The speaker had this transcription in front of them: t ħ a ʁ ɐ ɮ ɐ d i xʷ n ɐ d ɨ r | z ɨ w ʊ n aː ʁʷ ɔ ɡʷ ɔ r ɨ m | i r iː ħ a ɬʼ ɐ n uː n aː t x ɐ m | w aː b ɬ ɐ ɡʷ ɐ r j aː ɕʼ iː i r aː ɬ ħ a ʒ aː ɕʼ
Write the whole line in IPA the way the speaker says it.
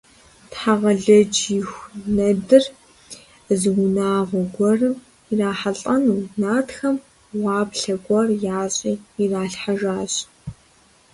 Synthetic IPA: t ħ a ʁ ɐ ɮ ɐ d͡ʒ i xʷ n ɐ d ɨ r | z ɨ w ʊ n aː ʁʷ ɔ ɡʷ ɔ r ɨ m | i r aː ħ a ɬʼ ɐ n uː n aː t x ɐ m | w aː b ɬ ɐ ɡʷ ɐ r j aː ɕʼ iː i r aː ɬ ħ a ʒ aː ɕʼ